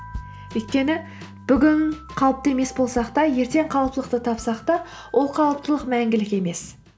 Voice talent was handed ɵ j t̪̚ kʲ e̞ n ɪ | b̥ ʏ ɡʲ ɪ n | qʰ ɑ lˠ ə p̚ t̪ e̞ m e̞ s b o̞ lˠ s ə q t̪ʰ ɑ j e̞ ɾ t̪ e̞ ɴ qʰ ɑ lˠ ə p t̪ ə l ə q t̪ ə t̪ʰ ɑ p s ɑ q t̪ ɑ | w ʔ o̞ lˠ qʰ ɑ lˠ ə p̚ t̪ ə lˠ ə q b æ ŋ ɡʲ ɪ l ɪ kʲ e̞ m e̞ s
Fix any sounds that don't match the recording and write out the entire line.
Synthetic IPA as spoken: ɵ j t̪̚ kʲ e̞ n ɪ | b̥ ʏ ɡʲ ɪ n | qʰ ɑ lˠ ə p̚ t̪ e̞ m e̞ s b o̞ lˠ s ɑ q t̪ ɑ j e̞ ɾ t̪ e̞ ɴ qʰ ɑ lˠ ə p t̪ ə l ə q t̪ ə t̪ʰ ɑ p s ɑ q t̪ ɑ | w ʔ o̞ lˠ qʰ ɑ lˠ ə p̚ t̪ ə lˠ ə q m æ ŋ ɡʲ ɪ l ɪ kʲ e̞ m e̞ s